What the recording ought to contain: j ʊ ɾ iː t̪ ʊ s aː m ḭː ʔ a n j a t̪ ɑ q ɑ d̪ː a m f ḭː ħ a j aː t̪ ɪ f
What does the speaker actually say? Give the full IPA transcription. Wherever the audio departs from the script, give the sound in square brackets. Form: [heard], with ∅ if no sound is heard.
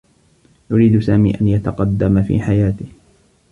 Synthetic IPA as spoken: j ʊ ɾ iː [d̪] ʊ s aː m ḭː ʔ a n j a t̪ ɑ q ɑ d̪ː a m f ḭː ħ a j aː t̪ ɪ [h]